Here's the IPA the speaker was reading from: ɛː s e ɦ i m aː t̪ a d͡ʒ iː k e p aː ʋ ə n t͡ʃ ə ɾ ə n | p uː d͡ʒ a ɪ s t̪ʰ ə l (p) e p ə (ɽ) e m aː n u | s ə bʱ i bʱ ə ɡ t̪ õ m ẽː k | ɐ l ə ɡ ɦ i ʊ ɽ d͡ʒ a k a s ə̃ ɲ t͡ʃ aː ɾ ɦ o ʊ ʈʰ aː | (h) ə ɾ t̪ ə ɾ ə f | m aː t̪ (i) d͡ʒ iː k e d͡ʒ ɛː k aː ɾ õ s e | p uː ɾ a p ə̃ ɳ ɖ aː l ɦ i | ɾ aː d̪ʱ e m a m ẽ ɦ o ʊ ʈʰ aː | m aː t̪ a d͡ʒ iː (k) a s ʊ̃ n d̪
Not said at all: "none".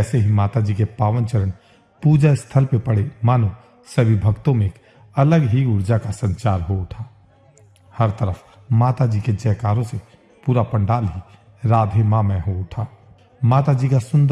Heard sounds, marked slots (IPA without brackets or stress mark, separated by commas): p, ɽ, h, a, k